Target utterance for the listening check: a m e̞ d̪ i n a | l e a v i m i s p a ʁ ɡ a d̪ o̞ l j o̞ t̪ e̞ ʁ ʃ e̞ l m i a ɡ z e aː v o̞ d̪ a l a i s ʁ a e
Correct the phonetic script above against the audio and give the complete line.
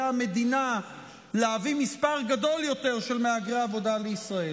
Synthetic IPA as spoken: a m e̞ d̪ i n a | l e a v i m i s p a ʁ ɡ a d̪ o̞ l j o̞ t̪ e̞ ʁ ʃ e̞ l m e a ɡ ʁ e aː v o̞ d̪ a l e i s ʁ a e